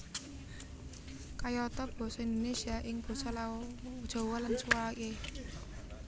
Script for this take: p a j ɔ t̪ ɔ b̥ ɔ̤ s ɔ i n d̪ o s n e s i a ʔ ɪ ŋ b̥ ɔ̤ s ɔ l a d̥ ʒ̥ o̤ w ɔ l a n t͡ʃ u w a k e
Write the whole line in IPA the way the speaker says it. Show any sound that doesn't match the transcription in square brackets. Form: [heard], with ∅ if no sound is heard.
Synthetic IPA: [k] a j ɔ t̪ ɔ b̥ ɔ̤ s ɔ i n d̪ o [∅] n e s i a ʔ ɪ ŋ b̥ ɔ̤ s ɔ l a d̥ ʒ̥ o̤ w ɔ l a n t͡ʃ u w a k e